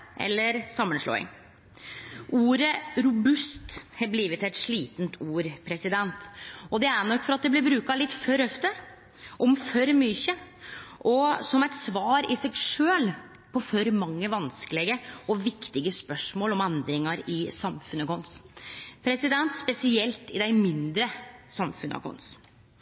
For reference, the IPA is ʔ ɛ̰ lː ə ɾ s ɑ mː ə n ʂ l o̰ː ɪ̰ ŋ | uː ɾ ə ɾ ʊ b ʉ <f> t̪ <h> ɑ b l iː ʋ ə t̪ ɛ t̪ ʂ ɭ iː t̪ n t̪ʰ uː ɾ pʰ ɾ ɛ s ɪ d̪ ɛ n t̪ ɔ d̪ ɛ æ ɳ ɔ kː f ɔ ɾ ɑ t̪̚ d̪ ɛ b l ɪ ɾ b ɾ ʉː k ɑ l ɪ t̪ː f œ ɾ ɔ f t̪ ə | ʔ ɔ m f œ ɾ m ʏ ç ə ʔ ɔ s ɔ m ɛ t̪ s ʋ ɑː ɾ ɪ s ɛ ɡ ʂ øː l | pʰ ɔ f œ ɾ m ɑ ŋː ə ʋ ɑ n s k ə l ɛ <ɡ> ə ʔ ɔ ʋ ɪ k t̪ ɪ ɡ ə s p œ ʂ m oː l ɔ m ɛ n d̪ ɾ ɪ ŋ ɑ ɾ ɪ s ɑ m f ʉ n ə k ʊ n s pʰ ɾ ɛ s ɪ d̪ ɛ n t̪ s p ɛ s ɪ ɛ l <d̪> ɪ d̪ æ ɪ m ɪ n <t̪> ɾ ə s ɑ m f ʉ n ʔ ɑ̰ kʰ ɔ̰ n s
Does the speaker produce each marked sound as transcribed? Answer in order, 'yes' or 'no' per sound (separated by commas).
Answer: no, yes, yes, no, no